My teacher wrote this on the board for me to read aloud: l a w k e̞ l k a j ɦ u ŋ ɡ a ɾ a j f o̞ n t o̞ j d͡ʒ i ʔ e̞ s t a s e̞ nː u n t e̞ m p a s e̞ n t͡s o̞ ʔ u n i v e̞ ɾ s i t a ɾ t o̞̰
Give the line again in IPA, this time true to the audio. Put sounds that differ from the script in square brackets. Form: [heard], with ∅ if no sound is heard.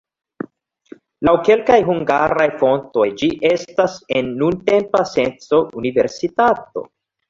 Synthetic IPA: l a w k e̞ l k a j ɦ u ŋ ɡ a ɾ a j f o̞ n t o̞ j d͡ʒ i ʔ e̞ s t a s e̞ nː u n t e̞ m p a s e̞ n t͡s o̞ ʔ u n i v e̞ ɾ s i t a [∅] t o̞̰

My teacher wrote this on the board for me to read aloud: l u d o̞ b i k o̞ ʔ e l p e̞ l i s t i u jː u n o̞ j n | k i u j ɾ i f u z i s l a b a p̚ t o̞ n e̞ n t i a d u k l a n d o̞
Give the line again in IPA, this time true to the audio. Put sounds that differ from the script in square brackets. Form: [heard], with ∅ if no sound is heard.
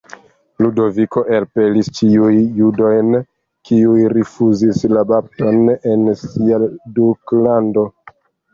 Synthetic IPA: l u d o̞ [v] i k o̞ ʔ e l p e̞ l i s [t͡ʃ] i u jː u [d] o̞ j n | k i u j ɾ i f u z i s l a b a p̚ t o̞ n e̞ n [s] i a d u k l a n d o̞

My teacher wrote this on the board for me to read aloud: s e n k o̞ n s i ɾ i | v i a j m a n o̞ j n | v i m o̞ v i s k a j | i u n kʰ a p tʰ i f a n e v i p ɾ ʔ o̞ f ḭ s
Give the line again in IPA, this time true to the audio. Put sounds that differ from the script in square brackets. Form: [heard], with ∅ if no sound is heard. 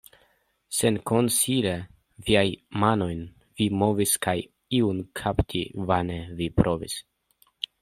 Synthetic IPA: s e n k o̞ n s i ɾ [e] | v i a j m a n o̞ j n | v i m o̞ v i s k a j | i u n kʰ a p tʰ i [v] a n e v i p ɾ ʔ o̞ [v] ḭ s

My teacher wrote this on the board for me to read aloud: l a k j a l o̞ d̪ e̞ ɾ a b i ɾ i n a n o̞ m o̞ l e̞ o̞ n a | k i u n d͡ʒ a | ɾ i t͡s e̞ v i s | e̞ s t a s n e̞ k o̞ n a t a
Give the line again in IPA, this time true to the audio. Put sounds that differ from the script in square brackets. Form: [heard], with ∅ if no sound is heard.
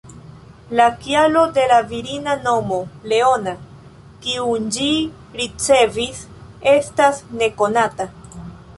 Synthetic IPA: l a k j a l o̞ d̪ e̞ [l] a [v] i ɾ i n a n o̞ m o̞ l e̞ o̞ n a | k i u n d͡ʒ [i] | ɾ i t͡s e̞ v i s | e̞ s t a s n e̞ k o̞ n a t a

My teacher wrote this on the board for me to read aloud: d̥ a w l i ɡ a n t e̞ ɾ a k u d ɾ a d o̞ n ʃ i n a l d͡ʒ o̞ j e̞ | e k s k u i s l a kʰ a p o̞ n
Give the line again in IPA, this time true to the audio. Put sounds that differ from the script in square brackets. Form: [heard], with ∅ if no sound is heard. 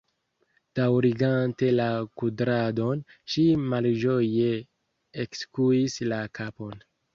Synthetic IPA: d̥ a w [ɾ] i ɡ a n t e̞ [l] a k u d ɾ a d o̞ n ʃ i [m] a l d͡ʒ o̞ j e̞ | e k s k u i s l a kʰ a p o̞ n

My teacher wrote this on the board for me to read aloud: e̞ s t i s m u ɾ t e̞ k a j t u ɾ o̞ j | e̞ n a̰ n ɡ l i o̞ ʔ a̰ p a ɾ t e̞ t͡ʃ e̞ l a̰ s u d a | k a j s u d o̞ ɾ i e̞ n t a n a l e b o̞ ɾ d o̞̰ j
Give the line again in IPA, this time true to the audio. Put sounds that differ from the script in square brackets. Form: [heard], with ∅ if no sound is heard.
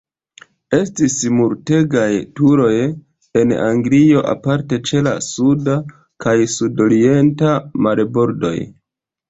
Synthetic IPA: e̞ s t i s m u ɾ t e̞ [ɡ] a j t u ɾ o̞ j | e̞ n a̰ [ŋ] ɡ l i o̞ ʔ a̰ p a ɾ t e̞ t͡ʃ e̞ l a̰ s u d a | k a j s u d o̞ ɾ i e̞ n t a [m] a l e b o̞ ɾ d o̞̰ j

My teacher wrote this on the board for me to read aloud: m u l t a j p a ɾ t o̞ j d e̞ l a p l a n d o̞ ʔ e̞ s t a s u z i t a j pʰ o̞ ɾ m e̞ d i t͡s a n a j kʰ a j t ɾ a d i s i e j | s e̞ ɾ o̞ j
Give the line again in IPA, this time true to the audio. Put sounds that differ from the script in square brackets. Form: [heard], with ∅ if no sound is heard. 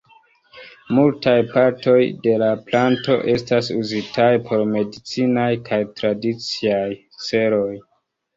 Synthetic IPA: m u l t a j p a ɾ t o̞ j d e̞ l a p l a n [t] o̞ ʔ e̞ s t a s u z i t a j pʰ o̞ ɾ m e̞ d i t͡s [i] n a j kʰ a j t ɾ a d i [t͡s] i [a] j | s e̞ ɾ o̞ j

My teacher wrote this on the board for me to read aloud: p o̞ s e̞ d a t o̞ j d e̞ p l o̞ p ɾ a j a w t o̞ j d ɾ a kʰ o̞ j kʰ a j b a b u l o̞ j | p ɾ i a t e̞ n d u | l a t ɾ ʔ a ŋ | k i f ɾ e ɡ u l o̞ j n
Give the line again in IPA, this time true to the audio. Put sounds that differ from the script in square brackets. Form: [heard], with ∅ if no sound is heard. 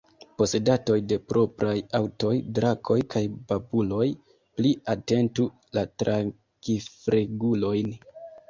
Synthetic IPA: p o̞ s e̞ d a t o̞ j d e̞ p [ɾ] o̞ p ɾ a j a w t o̞ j d ɾ a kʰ o̞ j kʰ a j b a b u l o̞ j | p [l] i a t e̞ n [t] u | l a t ɾ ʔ a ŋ | k i f ɾ e ɡ u l o̞ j n

